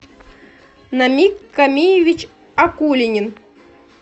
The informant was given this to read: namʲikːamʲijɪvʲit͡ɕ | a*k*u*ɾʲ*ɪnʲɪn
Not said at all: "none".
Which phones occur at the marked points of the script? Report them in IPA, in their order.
k, lʲ

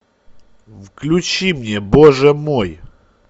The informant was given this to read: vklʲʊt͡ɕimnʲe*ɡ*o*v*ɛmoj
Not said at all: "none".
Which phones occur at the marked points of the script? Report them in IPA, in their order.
b, ʐ

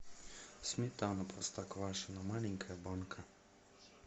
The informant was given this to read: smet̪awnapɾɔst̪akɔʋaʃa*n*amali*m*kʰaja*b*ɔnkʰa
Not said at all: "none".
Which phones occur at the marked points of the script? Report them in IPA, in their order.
n, ŋ, b

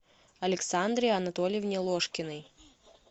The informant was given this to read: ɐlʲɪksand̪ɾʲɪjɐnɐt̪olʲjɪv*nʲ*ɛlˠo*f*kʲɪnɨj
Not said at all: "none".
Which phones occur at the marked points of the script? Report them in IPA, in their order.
nʲ, ʂ

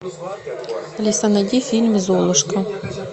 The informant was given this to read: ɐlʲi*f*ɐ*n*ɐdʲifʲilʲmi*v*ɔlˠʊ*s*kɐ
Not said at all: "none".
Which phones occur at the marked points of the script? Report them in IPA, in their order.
s, n, z, ʃ

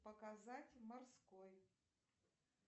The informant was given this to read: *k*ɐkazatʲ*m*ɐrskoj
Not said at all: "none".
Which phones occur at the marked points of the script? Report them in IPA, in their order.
p, m

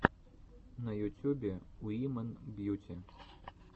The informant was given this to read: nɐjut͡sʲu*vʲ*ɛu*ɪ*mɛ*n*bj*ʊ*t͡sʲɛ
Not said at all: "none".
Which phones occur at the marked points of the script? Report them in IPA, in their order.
bʲ, i, n, u

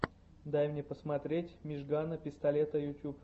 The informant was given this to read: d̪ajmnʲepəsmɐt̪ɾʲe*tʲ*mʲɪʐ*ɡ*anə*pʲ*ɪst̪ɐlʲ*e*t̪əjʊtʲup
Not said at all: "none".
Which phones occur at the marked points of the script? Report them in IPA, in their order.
tʲ, ɡ, pʲ, e

